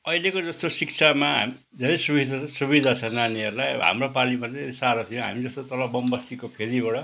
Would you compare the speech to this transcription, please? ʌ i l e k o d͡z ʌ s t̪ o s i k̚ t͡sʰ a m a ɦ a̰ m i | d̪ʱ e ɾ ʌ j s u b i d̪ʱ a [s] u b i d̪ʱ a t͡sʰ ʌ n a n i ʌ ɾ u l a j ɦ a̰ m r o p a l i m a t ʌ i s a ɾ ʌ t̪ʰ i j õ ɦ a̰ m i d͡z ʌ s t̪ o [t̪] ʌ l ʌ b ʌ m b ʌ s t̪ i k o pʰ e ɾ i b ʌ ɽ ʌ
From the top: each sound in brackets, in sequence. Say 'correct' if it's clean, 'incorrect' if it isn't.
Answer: correct, correct

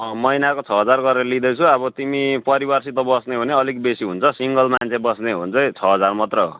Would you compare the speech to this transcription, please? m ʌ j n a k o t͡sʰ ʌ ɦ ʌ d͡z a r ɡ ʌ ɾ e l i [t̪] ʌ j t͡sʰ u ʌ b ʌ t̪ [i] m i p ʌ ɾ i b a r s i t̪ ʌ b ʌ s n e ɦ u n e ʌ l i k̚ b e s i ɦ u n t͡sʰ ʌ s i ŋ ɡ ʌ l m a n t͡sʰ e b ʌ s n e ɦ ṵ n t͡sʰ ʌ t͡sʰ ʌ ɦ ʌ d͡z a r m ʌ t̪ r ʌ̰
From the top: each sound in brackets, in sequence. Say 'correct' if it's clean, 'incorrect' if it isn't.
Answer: incorrect, correct

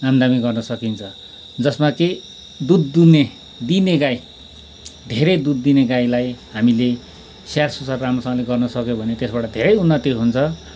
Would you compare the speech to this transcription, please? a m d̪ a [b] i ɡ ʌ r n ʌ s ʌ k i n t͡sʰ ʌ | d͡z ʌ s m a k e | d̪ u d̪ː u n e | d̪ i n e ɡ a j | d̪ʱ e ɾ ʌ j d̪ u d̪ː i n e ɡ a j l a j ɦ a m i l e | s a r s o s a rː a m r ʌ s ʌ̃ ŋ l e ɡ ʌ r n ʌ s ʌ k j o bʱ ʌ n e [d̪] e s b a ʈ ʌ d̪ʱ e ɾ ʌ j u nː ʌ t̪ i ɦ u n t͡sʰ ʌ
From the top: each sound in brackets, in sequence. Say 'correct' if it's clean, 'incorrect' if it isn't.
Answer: incorrect, incorrect

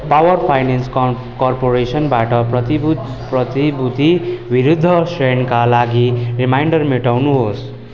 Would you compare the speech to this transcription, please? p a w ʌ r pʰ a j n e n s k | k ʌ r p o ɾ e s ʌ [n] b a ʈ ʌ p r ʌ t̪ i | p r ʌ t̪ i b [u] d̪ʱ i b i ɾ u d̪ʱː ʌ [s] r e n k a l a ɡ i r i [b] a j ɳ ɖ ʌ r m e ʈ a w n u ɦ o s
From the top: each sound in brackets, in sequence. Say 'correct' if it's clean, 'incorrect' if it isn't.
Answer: correct, correct, correct, incorrect

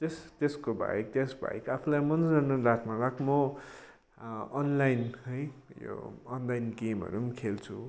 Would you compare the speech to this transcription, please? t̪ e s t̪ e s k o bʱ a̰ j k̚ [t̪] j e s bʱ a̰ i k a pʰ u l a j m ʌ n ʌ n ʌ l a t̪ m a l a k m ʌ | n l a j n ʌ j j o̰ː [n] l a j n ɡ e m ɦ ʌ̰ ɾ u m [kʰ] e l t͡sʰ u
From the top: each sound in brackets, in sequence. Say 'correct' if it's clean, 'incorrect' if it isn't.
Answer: correct, correct, correct

